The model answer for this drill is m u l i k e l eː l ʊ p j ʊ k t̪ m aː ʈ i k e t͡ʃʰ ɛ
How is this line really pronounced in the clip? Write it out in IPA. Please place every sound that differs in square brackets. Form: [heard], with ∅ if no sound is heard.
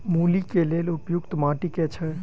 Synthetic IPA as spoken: m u l i k e l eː l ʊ p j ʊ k t̪ m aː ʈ i k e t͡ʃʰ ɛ